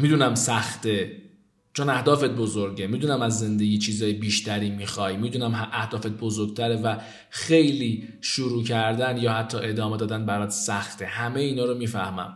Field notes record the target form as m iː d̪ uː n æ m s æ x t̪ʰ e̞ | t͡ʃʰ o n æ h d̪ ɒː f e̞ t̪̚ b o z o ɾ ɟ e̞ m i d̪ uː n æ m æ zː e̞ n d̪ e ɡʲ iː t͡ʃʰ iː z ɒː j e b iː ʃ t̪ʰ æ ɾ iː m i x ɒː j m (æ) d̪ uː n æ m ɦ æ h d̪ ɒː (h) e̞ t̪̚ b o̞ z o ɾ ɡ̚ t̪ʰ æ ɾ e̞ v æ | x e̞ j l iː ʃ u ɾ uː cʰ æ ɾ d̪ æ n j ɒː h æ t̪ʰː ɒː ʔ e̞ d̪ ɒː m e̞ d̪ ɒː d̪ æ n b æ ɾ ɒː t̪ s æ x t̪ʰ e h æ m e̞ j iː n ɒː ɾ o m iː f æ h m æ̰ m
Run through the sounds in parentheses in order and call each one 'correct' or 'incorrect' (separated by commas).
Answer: incorrect, incorrect